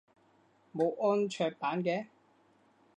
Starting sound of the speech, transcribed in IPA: m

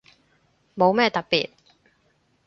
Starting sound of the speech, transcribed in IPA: m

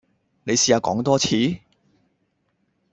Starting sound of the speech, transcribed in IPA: n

